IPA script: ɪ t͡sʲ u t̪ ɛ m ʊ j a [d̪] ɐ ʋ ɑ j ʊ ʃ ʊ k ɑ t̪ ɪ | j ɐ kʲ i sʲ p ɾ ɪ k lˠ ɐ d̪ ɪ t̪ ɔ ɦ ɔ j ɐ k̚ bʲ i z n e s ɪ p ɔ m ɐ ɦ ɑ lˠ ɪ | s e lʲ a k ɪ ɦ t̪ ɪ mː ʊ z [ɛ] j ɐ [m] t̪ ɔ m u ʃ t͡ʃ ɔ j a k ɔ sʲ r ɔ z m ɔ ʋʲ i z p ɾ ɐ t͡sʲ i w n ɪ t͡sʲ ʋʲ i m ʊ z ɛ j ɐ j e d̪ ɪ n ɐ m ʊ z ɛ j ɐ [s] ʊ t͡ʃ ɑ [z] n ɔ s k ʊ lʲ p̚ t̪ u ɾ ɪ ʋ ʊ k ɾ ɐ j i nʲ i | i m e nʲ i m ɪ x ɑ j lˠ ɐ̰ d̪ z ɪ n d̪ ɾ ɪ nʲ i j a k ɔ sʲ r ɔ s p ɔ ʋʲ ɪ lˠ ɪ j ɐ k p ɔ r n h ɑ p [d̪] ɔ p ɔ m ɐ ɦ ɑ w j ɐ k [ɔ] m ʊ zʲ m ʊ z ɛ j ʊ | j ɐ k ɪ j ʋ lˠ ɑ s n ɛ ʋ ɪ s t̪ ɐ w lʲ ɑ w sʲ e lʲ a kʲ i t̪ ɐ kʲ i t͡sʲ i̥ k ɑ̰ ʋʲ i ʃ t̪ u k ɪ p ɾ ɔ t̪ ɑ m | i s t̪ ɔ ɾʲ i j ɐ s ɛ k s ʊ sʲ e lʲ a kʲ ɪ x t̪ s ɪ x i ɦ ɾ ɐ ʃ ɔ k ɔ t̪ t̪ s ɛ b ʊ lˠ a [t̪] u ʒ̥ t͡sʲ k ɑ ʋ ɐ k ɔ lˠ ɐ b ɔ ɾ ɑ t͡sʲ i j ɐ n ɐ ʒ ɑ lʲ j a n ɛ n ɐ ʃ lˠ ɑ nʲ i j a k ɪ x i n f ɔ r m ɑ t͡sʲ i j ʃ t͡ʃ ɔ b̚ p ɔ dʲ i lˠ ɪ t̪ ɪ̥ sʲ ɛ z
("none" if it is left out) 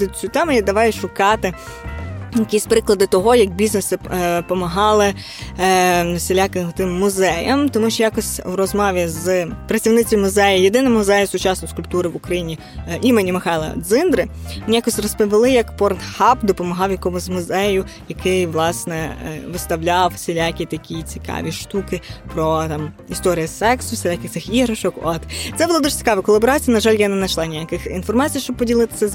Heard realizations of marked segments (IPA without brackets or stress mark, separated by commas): d̪, ɛ, m, s, s, d̪, ɔ, d̪